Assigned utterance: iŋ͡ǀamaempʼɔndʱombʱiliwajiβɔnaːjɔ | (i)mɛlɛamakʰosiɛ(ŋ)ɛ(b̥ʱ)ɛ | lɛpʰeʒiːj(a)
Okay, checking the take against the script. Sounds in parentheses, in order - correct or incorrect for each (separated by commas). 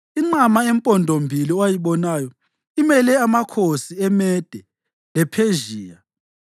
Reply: correct, incorrect, incorrect, correct